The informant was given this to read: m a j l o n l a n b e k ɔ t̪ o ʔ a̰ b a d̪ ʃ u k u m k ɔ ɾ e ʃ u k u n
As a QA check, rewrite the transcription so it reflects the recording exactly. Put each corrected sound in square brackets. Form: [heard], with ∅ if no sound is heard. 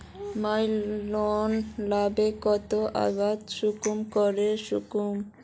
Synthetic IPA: m a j l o n l a [∅] b e k ɔ t̪ o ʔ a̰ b a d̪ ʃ u k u m k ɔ ɾ e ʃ u k u [m]